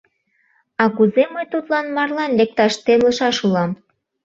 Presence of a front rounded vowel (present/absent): absent